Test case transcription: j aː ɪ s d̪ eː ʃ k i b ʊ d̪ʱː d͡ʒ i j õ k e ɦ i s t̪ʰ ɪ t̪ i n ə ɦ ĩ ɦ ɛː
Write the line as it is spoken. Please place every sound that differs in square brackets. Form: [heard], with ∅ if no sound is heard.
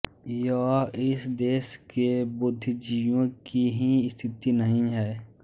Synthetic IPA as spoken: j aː ɪ s d̪ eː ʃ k [e] b ʊ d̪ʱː d͡ʒ i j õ k [i] ɦ i s t̪ʰ ɪ t̪ i n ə ɦ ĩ ɦ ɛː